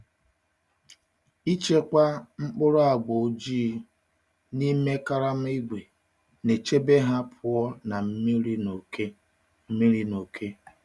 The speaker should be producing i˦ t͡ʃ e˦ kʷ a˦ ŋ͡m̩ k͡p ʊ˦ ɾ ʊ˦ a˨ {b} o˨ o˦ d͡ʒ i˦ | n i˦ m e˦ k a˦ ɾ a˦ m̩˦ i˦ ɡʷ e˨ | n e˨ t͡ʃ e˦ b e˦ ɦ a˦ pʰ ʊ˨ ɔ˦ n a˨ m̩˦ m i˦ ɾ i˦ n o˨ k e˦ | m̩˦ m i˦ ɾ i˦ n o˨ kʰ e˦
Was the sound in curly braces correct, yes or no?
no